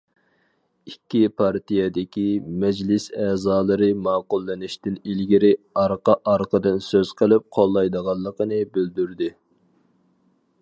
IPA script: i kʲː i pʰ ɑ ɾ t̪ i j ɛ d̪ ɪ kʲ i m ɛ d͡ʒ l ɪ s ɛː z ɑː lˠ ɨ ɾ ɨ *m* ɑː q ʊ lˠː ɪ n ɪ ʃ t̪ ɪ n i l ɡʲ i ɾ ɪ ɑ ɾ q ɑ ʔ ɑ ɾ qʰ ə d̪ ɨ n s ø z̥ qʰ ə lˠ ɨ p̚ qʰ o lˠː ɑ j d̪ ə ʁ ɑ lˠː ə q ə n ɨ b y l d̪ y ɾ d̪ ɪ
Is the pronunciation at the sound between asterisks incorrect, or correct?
correct